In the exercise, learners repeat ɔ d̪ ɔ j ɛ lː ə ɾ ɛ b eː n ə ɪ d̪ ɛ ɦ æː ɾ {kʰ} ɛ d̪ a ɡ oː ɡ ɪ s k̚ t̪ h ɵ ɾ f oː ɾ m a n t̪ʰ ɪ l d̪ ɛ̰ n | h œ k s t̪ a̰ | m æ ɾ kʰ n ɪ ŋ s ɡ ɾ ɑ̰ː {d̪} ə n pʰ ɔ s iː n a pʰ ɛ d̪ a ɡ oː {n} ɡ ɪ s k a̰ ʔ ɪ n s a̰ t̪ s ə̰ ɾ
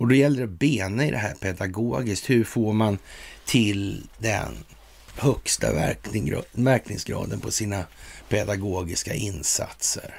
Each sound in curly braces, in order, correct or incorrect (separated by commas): incorrect, correct, incorrect